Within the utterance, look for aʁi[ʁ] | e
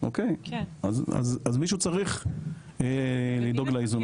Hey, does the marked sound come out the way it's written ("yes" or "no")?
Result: no